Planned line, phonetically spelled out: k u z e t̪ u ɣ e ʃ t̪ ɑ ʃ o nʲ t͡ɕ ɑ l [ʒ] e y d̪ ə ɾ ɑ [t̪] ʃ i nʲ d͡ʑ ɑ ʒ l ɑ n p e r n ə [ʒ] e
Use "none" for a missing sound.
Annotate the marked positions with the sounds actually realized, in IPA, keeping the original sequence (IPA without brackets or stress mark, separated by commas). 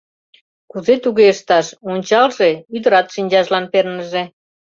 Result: ʒ, t̪, ʒ